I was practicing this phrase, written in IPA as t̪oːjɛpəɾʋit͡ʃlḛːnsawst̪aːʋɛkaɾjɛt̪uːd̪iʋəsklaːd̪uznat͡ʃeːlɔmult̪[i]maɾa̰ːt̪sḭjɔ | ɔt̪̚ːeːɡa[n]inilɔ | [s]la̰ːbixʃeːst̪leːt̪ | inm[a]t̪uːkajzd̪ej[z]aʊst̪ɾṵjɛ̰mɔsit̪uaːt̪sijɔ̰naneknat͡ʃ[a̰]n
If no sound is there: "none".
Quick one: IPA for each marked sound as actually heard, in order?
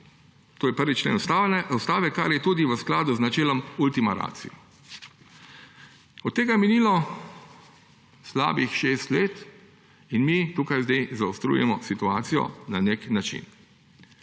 i, m, s, i, z, ḭ

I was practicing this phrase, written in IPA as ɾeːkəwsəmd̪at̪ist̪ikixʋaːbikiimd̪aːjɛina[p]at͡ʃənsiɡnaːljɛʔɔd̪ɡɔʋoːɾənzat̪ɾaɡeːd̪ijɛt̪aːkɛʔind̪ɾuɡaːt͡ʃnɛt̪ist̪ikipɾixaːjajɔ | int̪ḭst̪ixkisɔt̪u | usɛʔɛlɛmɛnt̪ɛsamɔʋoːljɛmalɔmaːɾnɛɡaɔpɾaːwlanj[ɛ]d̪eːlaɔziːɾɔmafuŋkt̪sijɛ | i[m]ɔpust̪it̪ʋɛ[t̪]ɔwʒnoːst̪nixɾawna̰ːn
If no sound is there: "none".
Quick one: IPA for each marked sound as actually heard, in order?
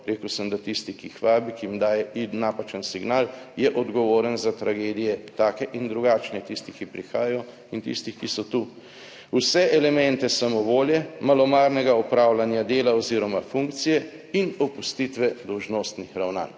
p, a, n, d̪

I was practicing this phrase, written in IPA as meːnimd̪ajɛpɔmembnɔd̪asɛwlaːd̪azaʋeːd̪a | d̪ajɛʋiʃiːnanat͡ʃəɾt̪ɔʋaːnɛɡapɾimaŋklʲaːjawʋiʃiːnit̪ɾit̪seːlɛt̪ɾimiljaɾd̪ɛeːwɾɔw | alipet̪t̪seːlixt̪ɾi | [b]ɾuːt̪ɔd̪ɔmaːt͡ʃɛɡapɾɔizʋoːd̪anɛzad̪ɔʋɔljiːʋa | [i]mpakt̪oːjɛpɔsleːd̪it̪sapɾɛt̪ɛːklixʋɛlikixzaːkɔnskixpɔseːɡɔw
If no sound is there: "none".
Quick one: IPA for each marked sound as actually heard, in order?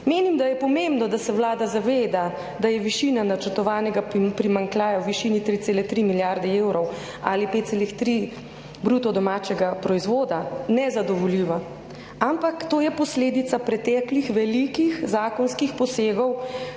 b, a

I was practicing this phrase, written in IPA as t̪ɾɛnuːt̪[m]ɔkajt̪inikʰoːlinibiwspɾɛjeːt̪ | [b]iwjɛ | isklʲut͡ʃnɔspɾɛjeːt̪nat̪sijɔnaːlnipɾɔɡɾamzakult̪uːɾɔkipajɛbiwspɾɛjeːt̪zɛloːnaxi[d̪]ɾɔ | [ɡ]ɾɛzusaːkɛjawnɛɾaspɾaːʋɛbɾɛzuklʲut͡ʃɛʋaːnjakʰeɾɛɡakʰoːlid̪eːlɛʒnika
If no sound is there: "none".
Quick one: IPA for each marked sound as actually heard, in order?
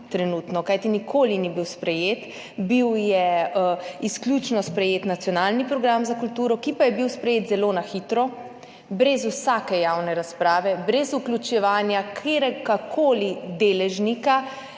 n, b, t̪, b

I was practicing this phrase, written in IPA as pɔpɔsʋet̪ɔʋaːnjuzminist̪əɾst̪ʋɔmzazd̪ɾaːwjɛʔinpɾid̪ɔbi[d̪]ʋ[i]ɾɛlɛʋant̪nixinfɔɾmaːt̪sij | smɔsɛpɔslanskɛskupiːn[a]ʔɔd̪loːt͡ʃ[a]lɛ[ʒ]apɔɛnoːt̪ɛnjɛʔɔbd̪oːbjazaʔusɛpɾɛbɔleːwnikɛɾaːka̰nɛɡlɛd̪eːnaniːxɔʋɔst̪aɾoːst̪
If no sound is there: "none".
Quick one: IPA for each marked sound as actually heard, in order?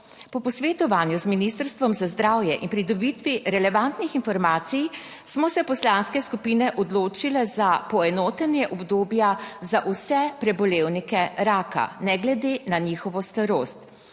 t̪, i, ɛ, i, z

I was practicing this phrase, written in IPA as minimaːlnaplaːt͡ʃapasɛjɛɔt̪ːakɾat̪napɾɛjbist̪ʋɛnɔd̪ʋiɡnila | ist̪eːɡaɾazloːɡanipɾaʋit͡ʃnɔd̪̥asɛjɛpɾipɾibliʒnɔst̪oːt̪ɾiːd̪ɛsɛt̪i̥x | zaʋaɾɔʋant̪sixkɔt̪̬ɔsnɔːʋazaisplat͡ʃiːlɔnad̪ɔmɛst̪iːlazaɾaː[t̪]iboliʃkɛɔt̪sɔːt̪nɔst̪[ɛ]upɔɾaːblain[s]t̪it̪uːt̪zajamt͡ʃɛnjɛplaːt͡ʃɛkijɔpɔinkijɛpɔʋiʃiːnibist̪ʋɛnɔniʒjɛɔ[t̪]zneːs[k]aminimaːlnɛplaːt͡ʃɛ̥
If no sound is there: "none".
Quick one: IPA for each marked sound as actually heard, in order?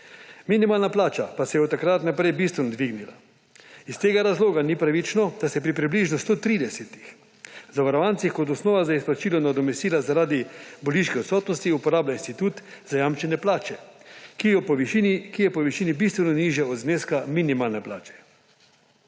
d̪, i, s, d̪, k

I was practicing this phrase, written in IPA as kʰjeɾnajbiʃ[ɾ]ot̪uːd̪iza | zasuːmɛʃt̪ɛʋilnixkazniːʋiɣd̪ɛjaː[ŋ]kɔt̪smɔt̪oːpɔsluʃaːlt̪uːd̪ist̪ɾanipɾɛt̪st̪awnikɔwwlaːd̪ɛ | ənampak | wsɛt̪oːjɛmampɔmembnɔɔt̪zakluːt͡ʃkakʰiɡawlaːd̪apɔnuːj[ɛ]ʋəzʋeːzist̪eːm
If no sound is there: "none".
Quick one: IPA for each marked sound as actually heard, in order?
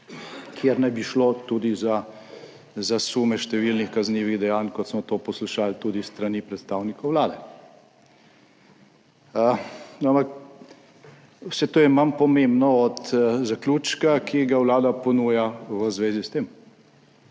l, n, a

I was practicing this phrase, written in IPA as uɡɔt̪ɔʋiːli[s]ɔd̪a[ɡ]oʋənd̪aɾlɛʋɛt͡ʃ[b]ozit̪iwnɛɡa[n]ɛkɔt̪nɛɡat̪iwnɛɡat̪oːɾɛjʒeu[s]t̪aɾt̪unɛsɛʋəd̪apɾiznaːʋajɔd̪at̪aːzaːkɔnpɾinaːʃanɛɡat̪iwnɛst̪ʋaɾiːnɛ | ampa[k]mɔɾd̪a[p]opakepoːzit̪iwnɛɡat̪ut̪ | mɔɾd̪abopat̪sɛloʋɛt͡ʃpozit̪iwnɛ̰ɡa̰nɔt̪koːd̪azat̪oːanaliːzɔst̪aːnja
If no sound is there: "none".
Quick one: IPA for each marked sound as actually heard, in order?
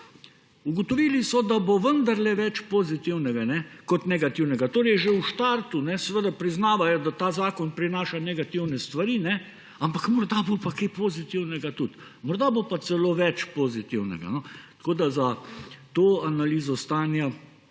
s, b, p, n, ʃ, k, b

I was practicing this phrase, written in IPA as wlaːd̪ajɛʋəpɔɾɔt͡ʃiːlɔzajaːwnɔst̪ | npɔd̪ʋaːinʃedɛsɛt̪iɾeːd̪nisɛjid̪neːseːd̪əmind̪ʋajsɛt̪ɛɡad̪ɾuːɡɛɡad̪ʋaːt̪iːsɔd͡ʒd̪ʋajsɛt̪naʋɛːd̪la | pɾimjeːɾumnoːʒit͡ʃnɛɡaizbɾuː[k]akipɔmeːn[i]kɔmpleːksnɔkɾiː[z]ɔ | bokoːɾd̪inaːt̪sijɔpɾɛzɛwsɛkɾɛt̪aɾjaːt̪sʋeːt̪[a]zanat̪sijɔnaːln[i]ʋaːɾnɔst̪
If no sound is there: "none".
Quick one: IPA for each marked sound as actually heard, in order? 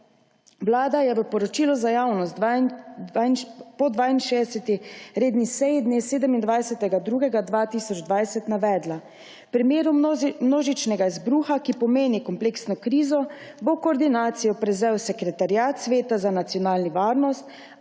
x, i, z, a, i

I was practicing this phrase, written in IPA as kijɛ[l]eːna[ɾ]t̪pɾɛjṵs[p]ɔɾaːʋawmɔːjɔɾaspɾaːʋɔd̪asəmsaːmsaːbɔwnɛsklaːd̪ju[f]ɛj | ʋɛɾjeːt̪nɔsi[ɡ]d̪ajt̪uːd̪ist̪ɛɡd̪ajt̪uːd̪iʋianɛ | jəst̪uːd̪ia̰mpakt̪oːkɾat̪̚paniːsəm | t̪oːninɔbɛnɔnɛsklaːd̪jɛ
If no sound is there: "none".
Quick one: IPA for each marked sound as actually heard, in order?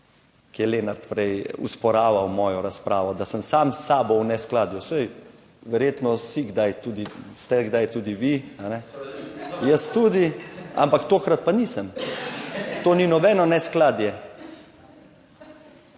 l, ɾ, p, s, ɡ

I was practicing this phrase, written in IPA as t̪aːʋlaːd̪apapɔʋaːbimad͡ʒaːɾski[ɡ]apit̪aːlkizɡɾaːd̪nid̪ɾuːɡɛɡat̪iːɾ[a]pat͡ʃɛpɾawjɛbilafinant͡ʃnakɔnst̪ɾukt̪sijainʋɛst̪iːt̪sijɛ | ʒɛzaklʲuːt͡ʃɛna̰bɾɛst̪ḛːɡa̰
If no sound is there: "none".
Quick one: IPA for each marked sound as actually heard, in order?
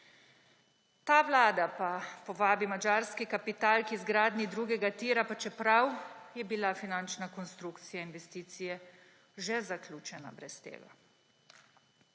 k, a

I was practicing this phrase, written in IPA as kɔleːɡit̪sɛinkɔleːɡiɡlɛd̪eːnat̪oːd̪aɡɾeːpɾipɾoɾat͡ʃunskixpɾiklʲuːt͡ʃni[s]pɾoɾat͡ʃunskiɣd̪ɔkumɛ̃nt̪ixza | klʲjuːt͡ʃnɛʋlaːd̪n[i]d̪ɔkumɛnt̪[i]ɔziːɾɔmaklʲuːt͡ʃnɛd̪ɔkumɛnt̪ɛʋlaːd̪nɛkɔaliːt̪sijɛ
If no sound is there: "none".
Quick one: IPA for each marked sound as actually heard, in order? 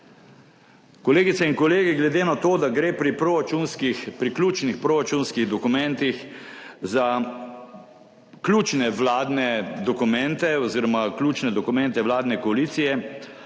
x, ɛ, ɛ

